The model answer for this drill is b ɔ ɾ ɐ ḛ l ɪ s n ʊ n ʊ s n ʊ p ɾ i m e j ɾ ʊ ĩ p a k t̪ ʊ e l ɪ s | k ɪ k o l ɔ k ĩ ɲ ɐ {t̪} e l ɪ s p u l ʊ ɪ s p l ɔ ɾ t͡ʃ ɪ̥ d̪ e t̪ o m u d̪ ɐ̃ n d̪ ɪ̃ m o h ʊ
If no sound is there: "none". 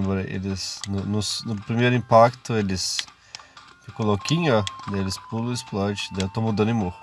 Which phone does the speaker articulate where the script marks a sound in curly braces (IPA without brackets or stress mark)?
d̪